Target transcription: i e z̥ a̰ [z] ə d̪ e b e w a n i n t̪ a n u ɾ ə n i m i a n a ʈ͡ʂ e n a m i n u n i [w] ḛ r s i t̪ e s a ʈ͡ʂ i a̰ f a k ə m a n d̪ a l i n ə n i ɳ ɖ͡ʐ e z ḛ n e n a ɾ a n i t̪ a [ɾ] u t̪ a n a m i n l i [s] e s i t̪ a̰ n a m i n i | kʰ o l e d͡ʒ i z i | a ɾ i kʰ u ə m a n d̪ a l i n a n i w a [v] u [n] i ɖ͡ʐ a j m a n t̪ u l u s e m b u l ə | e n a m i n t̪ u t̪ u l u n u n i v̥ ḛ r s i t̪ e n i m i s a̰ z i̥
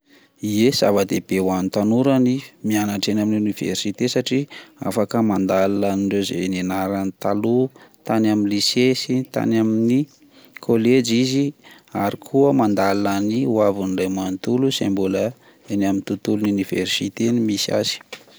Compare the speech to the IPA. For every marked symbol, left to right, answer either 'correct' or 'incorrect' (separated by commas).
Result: incorrect, incorrect, incorrect, correct, correct, correct